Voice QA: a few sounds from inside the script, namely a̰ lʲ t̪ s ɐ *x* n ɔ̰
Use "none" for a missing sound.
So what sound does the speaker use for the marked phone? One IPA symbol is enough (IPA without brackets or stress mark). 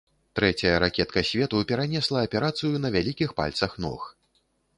x